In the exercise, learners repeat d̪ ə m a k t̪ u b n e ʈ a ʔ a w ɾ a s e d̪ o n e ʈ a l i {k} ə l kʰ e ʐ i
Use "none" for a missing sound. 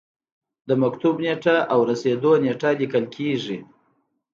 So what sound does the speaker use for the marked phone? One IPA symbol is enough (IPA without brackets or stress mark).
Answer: k